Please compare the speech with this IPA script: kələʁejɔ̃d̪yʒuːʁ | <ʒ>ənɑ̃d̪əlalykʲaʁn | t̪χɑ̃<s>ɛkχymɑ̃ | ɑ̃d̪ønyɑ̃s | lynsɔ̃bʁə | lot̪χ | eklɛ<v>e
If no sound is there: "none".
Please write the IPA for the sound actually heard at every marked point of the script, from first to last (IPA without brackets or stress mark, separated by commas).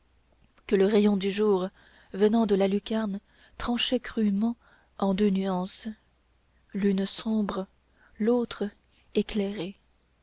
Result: v, ʃ, ʁ